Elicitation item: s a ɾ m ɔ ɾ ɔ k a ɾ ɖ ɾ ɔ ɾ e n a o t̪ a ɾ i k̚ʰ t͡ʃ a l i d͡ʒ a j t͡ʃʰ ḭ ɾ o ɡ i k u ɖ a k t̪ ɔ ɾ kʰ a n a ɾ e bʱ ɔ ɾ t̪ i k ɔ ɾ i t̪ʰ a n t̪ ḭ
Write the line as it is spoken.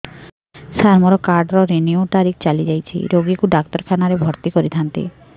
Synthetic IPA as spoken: s a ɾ m ɔ ɾ ɔ k a ɾ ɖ ɾ ɔ ɾ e n i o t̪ a ɾ i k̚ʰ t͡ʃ a l i d͡ʒ a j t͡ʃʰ ḭ ɾ o ɡ i k u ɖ a k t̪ ɔ ɾ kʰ a n a ɾ e bʱ ɔ ɾ t̪ i k ɔ ɾ i t̪ʰ a n t̪ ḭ